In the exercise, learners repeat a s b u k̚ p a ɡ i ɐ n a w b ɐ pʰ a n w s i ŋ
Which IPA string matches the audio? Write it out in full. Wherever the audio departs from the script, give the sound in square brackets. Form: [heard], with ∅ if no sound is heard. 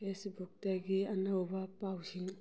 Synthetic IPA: [e] s b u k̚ [t] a ɡ i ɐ n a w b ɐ [p] a [∅] w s i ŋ